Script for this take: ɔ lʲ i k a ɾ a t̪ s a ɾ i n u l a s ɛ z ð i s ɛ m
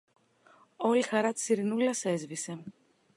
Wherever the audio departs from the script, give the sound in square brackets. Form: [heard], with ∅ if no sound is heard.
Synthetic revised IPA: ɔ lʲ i [x] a ɾ a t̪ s [i] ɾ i n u l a s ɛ z [v] i s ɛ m